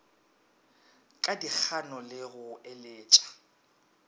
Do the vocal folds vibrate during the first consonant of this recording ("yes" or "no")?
no